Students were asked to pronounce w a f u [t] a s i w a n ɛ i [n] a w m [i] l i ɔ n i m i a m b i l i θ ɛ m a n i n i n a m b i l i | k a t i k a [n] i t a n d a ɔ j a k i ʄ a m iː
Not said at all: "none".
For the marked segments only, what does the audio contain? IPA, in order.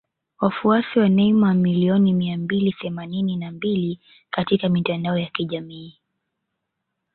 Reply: none, m, i, m

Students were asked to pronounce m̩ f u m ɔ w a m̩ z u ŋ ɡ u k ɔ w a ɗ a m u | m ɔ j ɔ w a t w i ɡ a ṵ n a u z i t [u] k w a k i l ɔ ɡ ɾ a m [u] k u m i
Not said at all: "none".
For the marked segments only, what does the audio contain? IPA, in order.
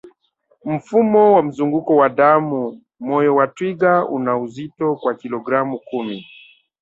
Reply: ɔ, u

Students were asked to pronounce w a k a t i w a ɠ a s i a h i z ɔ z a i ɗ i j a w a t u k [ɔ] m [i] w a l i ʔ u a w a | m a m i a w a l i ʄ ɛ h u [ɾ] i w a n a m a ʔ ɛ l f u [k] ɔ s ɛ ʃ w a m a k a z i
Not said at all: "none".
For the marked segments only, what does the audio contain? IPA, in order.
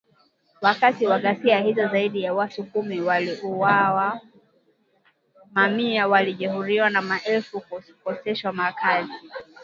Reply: u, i, ɾ, k

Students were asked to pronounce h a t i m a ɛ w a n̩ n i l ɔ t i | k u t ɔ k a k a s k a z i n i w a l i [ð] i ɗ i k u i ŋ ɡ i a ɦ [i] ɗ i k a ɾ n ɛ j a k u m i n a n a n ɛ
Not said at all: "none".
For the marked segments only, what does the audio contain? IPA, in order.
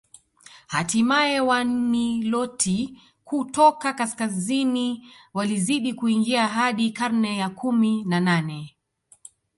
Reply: z, a

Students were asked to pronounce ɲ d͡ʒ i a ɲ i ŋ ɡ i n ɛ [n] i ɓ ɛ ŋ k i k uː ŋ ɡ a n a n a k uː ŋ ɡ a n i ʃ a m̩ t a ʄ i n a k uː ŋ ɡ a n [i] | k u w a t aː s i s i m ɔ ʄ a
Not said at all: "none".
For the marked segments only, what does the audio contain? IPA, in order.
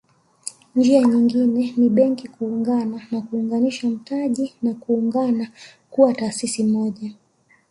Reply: n, a

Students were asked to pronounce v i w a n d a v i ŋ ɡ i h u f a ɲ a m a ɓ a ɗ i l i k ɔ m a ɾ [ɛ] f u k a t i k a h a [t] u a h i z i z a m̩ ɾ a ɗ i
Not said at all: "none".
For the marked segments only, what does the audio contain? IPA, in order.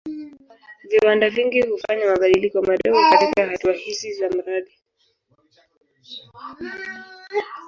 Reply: ɛ, t

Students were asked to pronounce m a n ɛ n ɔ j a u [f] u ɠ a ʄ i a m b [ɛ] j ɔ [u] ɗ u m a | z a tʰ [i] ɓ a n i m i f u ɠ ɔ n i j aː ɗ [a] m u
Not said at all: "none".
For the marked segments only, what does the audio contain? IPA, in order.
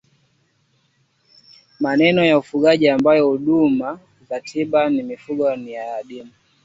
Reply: f, a, u, i, i

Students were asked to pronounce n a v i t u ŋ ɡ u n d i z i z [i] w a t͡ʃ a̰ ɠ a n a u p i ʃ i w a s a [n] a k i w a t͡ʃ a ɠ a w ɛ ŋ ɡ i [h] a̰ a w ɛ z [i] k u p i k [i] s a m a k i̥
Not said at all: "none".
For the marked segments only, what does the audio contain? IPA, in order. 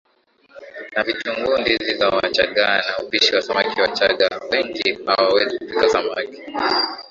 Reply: a, m, h, i, a

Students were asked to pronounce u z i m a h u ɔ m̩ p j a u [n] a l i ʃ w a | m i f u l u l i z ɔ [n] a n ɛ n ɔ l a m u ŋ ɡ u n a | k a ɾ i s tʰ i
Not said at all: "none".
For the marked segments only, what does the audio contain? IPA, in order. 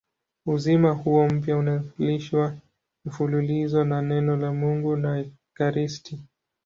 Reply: n, n

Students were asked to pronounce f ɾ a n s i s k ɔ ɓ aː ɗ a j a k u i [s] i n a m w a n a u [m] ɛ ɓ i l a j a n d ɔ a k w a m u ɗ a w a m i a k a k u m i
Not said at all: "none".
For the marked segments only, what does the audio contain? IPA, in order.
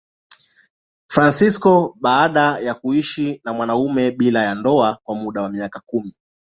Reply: ʃ, m

